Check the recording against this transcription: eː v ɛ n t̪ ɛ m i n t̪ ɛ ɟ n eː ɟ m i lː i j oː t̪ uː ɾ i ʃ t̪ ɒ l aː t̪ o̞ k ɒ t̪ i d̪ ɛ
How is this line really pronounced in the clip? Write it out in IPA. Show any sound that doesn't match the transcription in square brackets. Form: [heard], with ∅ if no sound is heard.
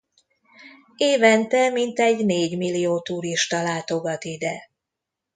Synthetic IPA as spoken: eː v ɛ n t̪ ɛ m i n t̪ ɛ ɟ n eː ɟ m i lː i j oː t̪ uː ɾ i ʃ t̪ ɒ l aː t̪ o̞ [ɡ] ɒ t̪ i d̪ ɛ